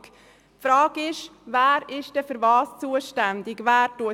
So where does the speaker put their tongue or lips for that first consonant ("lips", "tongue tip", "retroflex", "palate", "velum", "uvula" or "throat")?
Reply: lips